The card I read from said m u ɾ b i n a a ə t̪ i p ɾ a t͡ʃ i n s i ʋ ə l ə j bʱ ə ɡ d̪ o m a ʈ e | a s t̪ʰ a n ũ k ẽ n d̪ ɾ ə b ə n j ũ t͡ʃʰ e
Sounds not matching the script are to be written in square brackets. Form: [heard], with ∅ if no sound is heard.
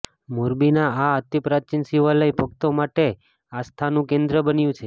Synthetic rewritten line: m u ɾ b i n a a ə t̪ i p ɾ a t͡ʃ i n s i ʋ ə l ə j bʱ ə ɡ [t̪] o m a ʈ e | a s t̪ʰ a n ũ k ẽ n d̪ ɾ ə b ə n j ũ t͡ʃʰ e